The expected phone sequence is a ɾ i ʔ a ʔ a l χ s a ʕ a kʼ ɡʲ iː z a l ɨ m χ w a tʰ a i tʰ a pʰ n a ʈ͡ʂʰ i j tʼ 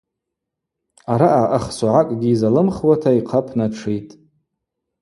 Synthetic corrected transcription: a ɾ a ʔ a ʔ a χ s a ʕ a kʼ ɡʲ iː z a l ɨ m χ w a tʰ a i qʰ a pʰ n a ʈ͡ʂʰ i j tʼ

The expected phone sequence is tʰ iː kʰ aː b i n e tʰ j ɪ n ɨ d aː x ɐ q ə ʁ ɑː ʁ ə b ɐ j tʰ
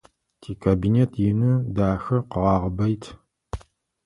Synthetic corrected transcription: tʰ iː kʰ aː b i n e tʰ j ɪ n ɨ d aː x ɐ q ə ʁ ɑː ʁ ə b ɐ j tʰ

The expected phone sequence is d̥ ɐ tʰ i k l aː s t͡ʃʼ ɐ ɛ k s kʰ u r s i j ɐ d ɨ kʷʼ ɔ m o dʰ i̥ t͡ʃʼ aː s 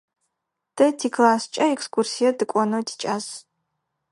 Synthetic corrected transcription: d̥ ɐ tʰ i k l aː s t͡ʃʼ ɐ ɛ k s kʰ u r s i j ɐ d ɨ kʷʼ ɔ n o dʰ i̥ t͡ʃʼ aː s

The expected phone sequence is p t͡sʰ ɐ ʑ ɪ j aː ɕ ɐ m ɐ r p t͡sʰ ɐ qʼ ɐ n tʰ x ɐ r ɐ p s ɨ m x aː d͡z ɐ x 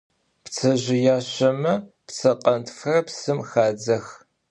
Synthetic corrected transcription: p t͡sʰ ɐ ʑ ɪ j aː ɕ ɐ m ɐ p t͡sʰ ɐ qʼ ɐ n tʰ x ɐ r ɐ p s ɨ m x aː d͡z ɐ x

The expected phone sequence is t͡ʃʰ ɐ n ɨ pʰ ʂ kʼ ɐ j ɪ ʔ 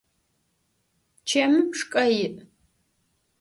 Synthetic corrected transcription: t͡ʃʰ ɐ m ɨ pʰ ʂ kʼ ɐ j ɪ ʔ

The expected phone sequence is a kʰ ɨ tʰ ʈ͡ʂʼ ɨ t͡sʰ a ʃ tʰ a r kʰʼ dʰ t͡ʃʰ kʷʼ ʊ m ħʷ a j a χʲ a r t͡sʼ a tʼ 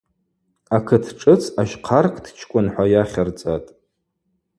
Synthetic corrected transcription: a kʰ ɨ tʰ ʈ͡ʂʼ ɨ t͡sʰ a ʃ qʰ a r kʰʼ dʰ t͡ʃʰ kʷʼ ʊ n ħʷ a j a χʲ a r t͡sʼ a tʼ

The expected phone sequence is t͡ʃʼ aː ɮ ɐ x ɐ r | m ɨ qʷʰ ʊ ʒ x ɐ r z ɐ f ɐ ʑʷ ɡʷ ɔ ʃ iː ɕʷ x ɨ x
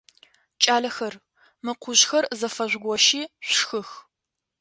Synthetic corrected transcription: t͡ʃʼ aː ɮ ɐ x ɐ r | m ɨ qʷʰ ʊ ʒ x ɐ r z ɐ f ɐ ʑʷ ɡʷ ɔ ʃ iː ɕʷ x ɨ x

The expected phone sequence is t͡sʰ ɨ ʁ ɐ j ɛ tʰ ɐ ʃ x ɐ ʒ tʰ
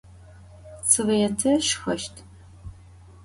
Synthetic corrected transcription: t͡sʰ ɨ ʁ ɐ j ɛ tʰ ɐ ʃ x ɐ ʃ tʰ

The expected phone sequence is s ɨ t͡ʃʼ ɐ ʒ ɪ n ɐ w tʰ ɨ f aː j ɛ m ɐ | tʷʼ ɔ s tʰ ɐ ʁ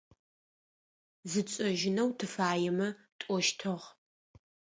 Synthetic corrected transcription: z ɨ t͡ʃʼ ɐ ʒ ɪ n ɐ w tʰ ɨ f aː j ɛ m ɐ | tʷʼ ɔ ʃ tʰ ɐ ʁ

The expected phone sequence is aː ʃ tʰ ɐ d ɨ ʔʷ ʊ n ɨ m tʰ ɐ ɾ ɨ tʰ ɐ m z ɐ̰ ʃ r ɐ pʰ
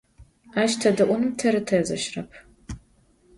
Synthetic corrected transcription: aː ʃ tʰ ɐ d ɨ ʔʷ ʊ n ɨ m tʰ ɐ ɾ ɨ tʰ ɐ z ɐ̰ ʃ r ɐ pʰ

